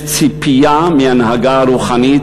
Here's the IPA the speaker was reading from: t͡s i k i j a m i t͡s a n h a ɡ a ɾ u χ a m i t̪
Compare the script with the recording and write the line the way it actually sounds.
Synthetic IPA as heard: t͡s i p i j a m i a n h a ɡ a ɾ u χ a n i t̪